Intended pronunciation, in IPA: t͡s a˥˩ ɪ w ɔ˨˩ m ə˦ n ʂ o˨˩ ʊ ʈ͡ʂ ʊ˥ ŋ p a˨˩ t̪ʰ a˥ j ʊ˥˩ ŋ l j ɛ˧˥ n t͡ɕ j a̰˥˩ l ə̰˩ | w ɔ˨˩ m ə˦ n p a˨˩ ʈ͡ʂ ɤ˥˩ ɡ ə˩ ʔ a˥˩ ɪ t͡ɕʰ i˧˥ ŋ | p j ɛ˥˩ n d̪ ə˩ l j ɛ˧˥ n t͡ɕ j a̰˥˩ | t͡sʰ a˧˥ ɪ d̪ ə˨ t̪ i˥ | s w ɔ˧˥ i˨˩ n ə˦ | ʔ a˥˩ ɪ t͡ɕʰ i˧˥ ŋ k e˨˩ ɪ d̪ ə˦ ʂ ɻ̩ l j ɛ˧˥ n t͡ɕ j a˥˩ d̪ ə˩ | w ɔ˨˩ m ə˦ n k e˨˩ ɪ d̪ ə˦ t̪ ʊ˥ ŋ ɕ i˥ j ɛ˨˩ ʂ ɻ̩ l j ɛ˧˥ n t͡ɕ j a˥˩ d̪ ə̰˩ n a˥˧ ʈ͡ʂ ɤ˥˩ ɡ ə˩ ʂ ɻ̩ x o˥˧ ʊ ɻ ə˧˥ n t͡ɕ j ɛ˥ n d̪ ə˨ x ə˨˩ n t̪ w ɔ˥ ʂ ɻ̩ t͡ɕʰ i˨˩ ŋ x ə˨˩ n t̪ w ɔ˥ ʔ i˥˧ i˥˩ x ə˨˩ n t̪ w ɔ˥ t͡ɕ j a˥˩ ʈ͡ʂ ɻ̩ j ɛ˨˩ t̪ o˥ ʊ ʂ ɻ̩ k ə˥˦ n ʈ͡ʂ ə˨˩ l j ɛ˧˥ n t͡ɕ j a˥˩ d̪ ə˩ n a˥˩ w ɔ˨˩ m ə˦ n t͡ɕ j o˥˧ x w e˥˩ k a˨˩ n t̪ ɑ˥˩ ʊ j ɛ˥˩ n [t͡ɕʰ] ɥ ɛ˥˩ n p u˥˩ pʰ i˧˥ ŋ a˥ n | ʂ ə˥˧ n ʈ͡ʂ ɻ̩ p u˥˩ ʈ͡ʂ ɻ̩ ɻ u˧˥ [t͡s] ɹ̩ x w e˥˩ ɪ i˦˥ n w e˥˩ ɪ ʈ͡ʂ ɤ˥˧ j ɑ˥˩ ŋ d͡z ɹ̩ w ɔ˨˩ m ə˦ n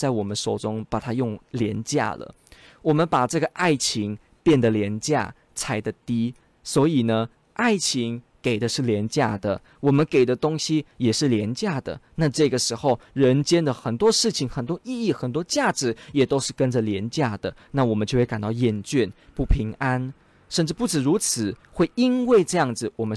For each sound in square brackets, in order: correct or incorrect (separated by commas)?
incorrect, incorrect